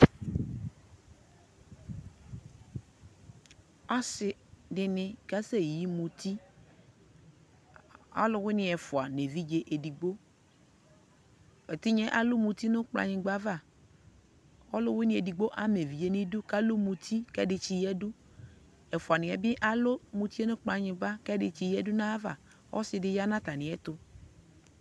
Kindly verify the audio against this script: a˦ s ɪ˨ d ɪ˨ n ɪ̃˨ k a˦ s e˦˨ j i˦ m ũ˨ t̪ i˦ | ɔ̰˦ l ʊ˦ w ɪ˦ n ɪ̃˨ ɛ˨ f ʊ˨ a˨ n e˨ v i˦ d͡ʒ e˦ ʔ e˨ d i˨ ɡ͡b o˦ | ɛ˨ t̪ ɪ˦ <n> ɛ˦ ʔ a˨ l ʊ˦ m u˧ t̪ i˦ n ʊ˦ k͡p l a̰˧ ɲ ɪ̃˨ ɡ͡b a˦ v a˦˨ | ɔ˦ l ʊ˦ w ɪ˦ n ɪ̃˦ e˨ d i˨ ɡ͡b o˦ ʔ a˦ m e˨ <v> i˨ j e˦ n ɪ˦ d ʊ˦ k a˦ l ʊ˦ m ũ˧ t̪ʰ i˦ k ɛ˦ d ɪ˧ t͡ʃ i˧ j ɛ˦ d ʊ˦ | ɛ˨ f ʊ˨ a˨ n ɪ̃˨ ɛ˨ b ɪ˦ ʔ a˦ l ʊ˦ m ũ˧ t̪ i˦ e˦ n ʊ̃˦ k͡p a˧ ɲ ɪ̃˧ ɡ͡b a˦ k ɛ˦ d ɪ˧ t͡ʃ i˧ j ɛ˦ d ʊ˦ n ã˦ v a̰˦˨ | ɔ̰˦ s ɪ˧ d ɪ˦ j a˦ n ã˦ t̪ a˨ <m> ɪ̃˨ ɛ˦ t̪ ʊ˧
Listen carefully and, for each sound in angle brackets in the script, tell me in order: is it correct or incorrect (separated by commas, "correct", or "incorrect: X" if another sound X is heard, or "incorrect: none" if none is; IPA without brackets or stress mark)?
incorrect: ɲ, correct, incorrect: n